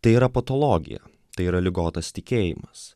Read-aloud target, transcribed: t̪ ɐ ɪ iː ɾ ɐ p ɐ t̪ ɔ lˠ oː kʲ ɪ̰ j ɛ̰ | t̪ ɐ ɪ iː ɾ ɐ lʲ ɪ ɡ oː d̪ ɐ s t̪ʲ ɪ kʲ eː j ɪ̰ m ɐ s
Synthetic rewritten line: t̪ ɐ ɪ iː ɾ ɐ p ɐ t̪ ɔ lˠ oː ɡʲ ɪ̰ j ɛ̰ | t̪ ɐ ɪ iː ɾ ɐ lʲ ɪ ɡ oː t̪ ɐ s t̪ʲ ɪ kʲ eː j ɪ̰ m ɐ s

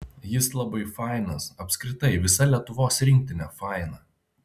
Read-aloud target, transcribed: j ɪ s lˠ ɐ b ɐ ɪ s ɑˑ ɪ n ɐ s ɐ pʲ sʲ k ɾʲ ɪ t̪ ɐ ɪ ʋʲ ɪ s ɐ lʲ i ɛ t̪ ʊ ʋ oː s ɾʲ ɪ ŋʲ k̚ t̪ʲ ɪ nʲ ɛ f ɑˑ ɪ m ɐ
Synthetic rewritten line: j ɪ s lˠ ɐ b ɐ ɪ f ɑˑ ɪ n ɐ s ɐ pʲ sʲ k ɾʲ ɪ t̪ ɐ ɪ ʋʲ ɪ s ɐ lʲ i ɛ t̪ ʊ ʋ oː s ɾʲ ɪ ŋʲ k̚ t̪ʲ ɪ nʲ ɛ f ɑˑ ɪ n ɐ

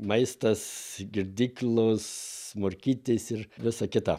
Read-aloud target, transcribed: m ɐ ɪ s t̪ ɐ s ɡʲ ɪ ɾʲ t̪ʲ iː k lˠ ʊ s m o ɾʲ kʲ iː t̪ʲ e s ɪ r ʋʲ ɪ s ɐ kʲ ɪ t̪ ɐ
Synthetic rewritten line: m ɐ ɪ s t̪ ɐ s ɡʲ ɪ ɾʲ d̪ʲ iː k lˠ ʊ s m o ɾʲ kʲ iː t̪ʲ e s ɪ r ʋʲ ɪ s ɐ kʲ ɪ t̪ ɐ

